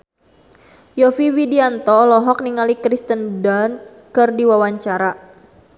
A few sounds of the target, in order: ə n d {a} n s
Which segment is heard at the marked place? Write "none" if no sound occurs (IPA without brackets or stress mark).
a